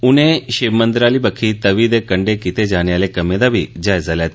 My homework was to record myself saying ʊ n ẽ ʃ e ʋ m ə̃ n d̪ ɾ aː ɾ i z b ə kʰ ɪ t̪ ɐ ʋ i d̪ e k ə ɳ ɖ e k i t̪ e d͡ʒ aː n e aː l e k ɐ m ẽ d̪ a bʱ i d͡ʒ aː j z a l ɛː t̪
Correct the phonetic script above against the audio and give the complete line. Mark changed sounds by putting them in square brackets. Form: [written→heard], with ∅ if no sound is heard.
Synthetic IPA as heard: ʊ n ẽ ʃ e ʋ m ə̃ n d̪ ɾ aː [ɾ→l] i [z→∅] b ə kʰ [ɪ→i] t̪ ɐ ʋ i d̪ e k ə ɳ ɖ e k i t̪ e d͡ʒ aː n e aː l e k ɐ m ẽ d̪ a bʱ i d͡ʒ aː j z a l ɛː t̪